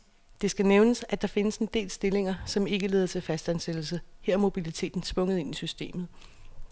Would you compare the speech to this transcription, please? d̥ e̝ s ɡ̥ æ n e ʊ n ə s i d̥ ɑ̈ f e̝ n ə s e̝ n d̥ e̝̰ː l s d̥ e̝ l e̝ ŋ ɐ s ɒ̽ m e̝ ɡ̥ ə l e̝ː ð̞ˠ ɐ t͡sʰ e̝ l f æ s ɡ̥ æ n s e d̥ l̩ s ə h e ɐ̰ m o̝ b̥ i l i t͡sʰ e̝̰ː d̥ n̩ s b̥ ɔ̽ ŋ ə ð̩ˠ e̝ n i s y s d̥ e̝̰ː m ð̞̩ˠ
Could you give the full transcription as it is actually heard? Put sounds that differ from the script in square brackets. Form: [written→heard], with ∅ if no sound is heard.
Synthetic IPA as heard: d̥ e̝ s ɡ̥ æ n e ʊ n ə s [i→æ] d̥ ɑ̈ f e̝ n ə s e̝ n d̥ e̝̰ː l s d̥ e̝ l e̝ ŋ ɐ s ɒ̽ m e̝ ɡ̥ ə l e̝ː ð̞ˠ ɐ t͡sʰ e̝ l f æ s [ɡ̥→d̥] æ n s e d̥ l̩ s ə h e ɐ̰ m o̝ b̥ i l i t͡sʰ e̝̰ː d̥ n̩ s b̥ ɔ̽ ŋ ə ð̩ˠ e̝ n i s y s d̥ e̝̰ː m ð̞̩ˠ